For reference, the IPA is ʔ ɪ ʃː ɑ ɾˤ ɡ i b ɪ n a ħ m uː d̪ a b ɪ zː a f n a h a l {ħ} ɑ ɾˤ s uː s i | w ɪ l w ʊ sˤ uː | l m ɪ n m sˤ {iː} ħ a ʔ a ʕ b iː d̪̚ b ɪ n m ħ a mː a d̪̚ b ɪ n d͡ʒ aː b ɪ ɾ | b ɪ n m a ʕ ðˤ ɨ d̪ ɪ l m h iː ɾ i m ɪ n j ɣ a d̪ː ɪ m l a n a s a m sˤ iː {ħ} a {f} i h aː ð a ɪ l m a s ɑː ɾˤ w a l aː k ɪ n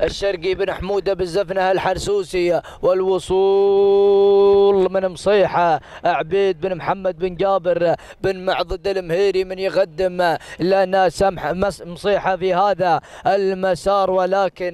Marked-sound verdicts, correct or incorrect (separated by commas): correct, correct, correct, correct